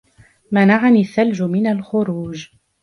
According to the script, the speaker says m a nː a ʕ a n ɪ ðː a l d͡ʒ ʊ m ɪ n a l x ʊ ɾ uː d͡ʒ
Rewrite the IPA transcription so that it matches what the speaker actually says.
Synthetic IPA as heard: m a n a ʕ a n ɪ θː a l d͡ʒ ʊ m ɪ n a l x ʊ ɾ uː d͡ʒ